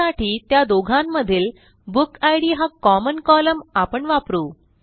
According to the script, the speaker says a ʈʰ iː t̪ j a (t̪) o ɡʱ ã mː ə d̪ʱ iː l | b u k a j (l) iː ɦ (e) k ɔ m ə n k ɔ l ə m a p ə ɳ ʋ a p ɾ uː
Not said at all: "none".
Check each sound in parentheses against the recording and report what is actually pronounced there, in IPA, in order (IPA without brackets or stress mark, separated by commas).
d̪, ɽ, a